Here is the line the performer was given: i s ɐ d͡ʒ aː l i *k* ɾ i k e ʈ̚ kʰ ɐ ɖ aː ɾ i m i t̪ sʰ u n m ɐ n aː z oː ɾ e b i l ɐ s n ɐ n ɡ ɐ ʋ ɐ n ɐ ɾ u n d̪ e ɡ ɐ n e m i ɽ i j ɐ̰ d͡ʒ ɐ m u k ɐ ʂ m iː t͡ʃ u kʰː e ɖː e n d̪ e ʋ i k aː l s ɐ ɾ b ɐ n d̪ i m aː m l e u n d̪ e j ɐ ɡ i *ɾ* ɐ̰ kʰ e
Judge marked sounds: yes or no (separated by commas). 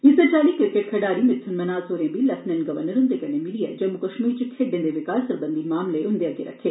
yes, yes